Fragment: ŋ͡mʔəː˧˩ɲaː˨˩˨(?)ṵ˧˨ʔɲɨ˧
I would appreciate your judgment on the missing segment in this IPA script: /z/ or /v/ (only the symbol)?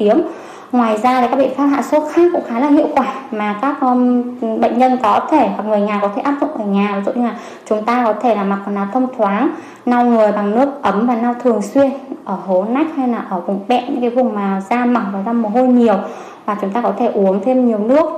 z